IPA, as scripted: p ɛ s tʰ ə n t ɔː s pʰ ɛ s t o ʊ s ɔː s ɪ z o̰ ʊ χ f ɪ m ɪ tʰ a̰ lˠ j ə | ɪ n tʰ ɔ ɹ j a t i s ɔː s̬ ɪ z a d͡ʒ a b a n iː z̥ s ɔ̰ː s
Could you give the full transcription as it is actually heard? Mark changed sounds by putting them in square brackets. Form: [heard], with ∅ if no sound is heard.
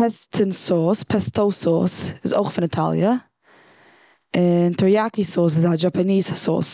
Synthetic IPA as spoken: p ɛ s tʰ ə n [s] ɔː s pʰ ɛ s t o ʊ s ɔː s ɪ z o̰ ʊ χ f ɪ [n] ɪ tʰ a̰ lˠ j ə | ɪ n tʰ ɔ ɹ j a [k] i s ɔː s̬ ɪ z a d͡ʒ a [p] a n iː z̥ s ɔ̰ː s